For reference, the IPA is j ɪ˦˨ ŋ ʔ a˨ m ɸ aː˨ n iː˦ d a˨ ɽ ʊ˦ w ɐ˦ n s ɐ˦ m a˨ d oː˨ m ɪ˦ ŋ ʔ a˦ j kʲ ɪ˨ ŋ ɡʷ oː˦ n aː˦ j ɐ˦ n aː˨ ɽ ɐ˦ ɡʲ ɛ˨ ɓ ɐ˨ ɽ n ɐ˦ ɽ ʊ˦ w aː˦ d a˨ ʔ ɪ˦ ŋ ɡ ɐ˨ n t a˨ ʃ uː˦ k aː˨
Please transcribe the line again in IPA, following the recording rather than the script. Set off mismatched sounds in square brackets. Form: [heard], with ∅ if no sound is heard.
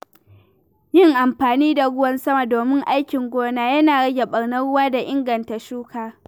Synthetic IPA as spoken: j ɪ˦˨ ŋ ʔ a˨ m ɸ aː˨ n iː˦ d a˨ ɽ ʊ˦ w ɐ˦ n s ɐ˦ m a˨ d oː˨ m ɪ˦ ŋ ʔ a˦ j kʲ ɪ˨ ŋ ɡʷ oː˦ n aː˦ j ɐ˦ n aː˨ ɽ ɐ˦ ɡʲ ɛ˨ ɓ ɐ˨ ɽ n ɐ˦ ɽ ʊ˦ w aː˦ d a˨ ʔ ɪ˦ ŋ ɡ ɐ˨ n t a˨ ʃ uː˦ k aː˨

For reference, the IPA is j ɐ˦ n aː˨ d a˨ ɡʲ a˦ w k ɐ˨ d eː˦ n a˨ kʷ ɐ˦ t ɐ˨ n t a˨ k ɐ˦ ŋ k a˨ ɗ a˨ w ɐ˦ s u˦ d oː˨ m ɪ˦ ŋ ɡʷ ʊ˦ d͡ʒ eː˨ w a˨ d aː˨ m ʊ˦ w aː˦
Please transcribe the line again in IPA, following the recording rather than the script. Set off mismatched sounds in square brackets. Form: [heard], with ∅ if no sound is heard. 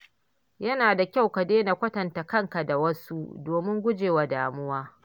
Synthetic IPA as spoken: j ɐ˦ n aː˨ d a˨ [kʲ] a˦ w k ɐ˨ d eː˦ n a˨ kʷ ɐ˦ t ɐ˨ n t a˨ k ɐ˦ ŋ k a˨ [d] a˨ w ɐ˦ s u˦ d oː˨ m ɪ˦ ŋ ɡʷ ʊ˦ d͡ʒ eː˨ w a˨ d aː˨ m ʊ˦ w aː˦

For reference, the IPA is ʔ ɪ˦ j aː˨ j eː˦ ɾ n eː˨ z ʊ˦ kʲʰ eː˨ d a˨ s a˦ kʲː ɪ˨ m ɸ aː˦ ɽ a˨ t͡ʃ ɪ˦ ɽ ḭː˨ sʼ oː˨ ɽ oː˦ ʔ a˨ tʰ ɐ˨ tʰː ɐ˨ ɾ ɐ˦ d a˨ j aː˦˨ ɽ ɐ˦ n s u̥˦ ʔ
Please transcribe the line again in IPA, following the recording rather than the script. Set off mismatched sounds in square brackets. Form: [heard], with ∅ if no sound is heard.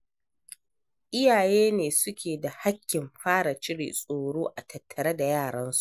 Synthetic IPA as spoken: ʔ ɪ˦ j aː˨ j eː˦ [∅] n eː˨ [s] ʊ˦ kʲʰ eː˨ d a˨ [h] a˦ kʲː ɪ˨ m ɸ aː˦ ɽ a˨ t͡ʃ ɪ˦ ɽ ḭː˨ sʼ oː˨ ɽ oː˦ ʔ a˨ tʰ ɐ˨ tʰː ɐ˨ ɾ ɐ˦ d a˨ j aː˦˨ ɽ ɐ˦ n s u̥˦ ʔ

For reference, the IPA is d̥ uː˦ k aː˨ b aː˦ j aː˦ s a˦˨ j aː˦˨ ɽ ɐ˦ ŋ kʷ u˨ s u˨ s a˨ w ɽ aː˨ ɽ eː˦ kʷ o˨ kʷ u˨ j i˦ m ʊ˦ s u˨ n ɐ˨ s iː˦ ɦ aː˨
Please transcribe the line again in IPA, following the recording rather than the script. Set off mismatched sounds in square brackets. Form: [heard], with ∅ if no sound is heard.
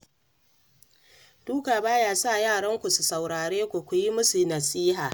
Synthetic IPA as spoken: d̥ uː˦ k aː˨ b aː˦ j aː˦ s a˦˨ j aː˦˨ ɽ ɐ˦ ŋ kʷ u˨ s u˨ s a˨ w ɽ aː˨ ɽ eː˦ kʷ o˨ kʷ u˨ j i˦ m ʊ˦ s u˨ n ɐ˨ s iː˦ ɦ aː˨

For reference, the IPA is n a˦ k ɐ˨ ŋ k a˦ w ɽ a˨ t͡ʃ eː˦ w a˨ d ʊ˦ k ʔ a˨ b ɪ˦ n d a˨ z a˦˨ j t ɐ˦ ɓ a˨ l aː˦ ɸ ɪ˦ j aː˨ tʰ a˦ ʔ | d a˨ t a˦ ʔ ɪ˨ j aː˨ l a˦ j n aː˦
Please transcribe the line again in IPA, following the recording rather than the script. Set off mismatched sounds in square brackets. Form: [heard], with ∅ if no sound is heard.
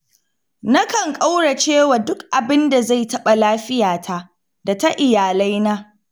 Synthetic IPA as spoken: n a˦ k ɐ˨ ŋ [kʼ] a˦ w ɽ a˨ t͡ʃ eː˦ w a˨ d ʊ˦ k ʔ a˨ b ɪ˦ n d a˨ z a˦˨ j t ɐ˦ ɓ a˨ l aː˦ ɸ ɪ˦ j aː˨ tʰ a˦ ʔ | d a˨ t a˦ ʔ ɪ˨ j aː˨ l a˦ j n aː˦

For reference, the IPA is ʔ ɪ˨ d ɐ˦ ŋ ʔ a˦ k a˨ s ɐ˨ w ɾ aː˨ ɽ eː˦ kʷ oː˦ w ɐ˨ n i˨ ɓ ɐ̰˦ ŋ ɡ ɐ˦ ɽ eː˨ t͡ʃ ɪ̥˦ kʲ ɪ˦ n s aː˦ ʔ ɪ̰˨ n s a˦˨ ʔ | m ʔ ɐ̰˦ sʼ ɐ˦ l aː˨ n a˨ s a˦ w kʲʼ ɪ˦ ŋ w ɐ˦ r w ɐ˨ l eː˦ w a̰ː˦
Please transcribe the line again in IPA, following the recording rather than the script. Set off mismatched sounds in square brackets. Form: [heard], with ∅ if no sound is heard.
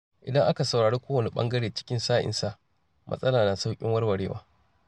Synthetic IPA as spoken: ʔ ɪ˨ d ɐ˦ ŋ ʔ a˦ k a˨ s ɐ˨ w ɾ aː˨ ɽ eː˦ kʷ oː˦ w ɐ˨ n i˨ ɓ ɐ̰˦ ŋ ɡ ɐ˦ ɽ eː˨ t͡ʃ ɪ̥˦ kʲ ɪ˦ n s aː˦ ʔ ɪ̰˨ n s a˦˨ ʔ | m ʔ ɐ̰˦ sʼ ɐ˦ l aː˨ n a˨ s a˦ w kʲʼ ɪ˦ ŋ w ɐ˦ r w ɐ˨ [ɽ] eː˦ w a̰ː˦

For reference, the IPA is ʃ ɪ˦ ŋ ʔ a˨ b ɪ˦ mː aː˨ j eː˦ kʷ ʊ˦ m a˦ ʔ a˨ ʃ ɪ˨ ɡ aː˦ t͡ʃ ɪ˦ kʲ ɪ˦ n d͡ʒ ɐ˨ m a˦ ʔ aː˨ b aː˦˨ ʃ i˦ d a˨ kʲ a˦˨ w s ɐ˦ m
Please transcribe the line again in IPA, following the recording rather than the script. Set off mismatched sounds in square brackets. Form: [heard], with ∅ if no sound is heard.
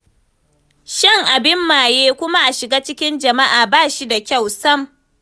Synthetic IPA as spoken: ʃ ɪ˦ ŋ ʔ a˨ b ɪ˦ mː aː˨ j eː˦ kʷ ʊ˦ m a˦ ʔ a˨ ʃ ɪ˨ ɡ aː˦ t͡ʃ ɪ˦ kʲ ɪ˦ n d͡ʒ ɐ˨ m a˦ ʔ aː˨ b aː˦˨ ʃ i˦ d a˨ kʲ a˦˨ w s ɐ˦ m

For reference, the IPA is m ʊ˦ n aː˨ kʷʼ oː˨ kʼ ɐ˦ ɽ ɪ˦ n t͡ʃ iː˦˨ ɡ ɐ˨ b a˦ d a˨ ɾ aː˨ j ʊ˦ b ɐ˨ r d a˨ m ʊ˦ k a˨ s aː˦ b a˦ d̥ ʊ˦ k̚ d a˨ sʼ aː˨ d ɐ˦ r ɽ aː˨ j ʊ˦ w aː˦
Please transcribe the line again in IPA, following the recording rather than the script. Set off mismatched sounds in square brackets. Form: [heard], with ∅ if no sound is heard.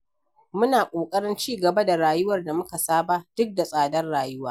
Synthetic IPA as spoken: m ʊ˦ n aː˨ kʷʼ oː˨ kʼ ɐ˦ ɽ ɪ˦ n t͡ʃ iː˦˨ ɡ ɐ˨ b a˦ d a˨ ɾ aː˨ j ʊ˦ [w] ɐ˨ r d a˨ m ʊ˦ k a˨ s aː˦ b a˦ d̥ ʊ˦ k̚ d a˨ sʼ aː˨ d ɐ˦ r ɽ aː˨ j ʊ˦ w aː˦

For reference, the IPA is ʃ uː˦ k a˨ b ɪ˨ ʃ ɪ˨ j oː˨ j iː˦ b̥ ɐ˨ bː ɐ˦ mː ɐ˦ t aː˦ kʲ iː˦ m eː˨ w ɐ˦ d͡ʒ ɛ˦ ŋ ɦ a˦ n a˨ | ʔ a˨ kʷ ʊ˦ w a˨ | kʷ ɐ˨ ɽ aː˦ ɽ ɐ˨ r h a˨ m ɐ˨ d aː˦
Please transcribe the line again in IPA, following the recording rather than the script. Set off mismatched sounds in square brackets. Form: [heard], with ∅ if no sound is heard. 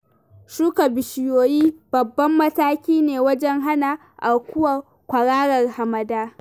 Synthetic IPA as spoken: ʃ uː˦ k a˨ b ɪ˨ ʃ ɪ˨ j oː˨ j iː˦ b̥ ɐ˨ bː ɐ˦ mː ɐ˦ t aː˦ kʲ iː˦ [n] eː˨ w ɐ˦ d͡ʒ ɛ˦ ŋ ɦ a˦ n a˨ | ʔ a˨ kʷ ʊ˦ w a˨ | kʷ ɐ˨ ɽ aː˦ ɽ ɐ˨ r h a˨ m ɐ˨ d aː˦

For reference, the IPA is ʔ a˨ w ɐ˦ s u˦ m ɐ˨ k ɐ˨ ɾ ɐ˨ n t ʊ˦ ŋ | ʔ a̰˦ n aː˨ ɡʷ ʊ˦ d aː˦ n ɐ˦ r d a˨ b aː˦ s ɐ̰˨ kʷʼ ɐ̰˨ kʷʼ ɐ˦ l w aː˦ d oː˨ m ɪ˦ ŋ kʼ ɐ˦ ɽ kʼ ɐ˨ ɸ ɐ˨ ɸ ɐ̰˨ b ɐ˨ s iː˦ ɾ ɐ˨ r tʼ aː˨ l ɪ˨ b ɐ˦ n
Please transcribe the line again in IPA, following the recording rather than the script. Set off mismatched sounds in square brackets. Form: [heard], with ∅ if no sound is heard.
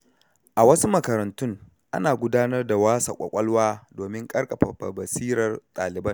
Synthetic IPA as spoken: ʔ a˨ w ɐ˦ s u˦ m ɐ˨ k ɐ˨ ɾ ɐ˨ n t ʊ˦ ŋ | ʔ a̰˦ n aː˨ ɡʷ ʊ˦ d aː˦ n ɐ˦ r d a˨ [w] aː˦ s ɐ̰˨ kʷʼ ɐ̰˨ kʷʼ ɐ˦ l w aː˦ d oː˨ m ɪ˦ ŋ kʼ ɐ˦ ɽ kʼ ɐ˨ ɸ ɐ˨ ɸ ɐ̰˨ b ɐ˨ s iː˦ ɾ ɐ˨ r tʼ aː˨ l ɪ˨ b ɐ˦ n

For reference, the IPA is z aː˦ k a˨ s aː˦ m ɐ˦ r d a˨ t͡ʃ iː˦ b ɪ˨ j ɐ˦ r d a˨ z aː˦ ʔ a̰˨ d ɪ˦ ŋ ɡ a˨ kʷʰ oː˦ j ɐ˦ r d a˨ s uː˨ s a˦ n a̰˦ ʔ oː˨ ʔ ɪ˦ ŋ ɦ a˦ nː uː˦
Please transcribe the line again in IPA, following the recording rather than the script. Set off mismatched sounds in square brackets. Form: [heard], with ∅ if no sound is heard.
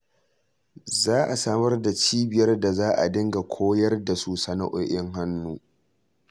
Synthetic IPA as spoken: z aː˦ [ʔ] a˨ s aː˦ m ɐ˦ r d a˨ t͡ʃ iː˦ b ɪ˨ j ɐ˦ r d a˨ z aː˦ ʔ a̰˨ d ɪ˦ ŋ ɡ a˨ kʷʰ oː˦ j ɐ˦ r d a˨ s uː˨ s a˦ n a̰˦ ʔ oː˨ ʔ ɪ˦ ŋ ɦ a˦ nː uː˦

